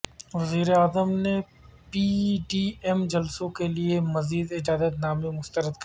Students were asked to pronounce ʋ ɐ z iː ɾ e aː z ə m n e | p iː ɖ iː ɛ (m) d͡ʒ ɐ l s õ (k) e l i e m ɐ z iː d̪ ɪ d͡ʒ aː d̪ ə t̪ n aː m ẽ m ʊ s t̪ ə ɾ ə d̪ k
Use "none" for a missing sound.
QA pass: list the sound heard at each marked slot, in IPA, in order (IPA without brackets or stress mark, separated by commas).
m, k